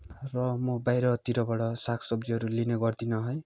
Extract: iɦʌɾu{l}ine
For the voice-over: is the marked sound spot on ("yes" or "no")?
yes